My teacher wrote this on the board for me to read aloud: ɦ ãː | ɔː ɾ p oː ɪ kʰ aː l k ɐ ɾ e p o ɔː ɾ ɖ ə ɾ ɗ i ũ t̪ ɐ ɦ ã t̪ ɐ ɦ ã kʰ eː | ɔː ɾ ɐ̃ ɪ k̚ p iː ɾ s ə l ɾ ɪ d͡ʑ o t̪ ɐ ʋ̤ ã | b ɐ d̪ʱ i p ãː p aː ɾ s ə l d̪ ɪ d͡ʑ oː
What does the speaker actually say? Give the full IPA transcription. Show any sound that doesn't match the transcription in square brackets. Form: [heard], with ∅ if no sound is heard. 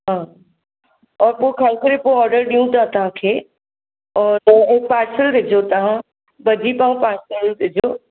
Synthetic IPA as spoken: ɦ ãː | ɔː ɾ p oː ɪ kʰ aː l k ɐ ɾ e p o ɔː ɾ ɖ ə ɾ ɗ i ũ t̪ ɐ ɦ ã t̪ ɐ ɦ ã kʰ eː | ɔː ɾ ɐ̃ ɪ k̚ p [aː] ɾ s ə l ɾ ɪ d͡ʑ o t̪ ɐ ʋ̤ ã | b ɐ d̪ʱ i p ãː p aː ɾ s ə l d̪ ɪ d͡ʑ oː